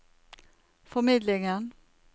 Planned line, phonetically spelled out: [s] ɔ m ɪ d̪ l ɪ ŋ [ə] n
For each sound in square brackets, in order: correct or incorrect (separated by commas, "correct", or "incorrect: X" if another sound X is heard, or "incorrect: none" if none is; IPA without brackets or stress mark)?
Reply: incorrect: f, correct